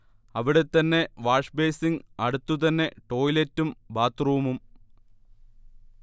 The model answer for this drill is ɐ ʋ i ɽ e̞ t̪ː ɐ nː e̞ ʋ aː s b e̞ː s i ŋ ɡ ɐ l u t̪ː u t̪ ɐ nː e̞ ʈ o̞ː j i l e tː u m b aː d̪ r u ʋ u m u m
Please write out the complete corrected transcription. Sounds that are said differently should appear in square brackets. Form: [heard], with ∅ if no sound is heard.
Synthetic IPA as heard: ɐ ʋ i ɽ e̞ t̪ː ɐ nː e̞ ʋ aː [ʂ] b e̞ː s i ŋ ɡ ɐ [ɽ] u t̪ː u t̪ ɐ nː e̞ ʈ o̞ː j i l e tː u m b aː [t̪] r u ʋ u m u m